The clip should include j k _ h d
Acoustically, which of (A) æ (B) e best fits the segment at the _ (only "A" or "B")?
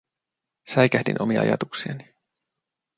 A